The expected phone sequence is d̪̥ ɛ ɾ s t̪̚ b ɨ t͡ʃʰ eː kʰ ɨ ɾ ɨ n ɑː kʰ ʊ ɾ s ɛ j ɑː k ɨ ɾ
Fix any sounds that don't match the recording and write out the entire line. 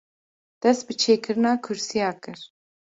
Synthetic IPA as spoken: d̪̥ ɛ s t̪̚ b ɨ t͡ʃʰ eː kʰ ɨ ɾ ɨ n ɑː kʰ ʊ ɾ s i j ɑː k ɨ ɾ